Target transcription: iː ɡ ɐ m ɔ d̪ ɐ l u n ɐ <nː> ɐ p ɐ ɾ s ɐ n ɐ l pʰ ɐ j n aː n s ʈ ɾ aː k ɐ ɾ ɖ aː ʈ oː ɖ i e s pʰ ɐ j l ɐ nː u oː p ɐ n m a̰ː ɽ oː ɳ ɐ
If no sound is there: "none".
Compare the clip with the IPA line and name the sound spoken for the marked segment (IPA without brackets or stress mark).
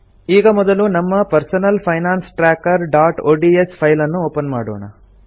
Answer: mː